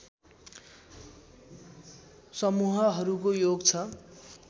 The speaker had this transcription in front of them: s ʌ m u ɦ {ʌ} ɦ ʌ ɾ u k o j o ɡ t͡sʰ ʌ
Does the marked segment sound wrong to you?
no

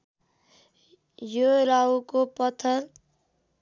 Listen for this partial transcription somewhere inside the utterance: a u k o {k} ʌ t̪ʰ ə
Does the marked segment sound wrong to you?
yes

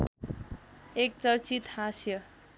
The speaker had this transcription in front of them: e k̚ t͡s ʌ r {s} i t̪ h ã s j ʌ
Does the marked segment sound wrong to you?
yes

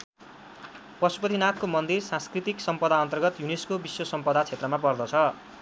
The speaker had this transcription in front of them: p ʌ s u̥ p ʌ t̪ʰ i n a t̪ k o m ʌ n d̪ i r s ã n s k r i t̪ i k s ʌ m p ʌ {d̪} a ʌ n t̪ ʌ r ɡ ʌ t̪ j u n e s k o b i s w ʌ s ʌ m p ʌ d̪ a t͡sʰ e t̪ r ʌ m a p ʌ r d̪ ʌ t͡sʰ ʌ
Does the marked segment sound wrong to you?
no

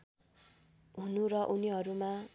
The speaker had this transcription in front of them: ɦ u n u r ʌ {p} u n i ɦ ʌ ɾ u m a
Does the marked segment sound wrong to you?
yes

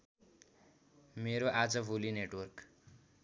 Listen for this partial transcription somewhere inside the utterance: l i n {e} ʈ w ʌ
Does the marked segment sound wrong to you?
no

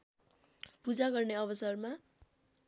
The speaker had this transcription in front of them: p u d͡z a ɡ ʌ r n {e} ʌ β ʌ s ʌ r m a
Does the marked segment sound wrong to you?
no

